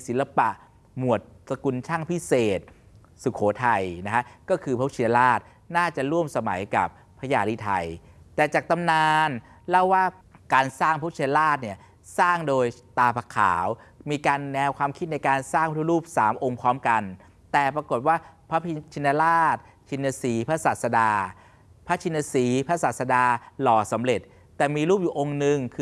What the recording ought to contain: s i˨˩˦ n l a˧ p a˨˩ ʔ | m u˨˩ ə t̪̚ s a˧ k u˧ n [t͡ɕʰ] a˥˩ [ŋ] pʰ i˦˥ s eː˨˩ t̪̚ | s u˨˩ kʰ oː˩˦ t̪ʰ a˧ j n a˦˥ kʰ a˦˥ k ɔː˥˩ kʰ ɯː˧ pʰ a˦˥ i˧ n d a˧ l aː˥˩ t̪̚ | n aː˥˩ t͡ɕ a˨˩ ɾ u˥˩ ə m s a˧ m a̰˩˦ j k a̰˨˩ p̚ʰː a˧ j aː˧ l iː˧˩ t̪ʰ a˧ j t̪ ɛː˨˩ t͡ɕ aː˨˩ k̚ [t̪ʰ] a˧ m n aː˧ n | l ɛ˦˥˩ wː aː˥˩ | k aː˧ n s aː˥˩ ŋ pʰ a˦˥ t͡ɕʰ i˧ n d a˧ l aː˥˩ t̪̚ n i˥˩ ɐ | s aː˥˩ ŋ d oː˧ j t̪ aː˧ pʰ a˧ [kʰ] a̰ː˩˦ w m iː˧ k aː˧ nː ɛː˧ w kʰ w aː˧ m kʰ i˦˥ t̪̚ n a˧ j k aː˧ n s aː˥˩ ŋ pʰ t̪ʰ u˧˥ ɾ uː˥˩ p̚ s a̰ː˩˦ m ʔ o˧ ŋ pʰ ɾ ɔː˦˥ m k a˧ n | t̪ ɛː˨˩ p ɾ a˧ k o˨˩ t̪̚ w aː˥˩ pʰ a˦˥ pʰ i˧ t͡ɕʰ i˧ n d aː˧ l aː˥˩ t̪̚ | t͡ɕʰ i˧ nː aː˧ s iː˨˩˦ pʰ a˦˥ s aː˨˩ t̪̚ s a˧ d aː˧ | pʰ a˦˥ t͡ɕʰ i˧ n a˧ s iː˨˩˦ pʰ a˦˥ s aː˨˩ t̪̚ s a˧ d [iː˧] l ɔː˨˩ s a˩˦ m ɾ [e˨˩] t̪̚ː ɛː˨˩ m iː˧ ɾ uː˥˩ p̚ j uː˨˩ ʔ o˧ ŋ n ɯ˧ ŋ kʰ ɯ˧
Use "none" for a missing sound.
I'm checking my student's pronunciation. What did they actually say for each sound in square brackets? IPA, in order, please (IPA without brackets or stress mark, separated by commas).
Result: t͡ɕʰ, ŋ, t̪, kʰ, aː˧, e˨˩